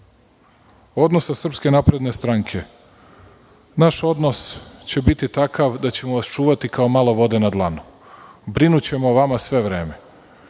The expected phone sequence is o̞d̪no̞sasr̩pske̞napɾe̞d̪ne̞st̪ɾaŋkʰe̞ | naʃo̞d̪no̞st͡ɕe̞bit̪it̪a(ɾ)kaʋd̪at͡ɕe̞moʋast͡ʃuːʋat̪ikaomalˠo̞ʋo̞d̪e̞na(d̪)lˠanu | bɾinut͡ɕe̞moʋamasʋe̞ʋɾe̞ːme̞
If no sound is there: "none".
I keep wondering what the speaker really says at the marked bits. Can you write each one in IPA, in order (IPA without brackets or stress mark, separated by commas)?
none, d̪